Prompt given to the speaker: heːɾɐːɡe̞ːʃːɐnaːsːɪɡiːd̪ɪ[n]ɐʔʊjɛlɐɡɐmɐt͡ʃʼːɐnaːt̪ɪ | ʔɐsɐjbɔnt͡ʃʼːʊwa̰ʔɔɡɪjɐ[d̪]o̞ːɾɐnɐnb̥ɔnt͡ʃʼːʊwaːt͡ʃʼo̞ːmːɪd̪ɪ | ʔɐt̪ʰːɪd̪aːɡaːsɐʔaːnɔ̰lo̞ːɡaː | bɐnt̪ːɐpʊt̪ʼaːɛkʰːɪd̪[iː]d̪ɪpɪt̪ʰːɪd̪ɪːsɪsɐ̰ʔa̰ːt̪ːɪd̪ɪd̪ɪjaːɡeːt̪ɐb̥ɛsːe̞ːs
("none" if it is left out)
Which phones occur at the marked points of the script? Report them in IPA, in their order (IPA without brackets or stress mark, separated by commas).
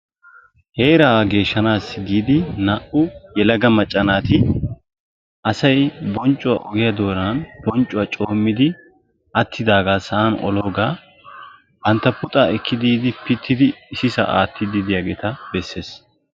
n, d̪, iː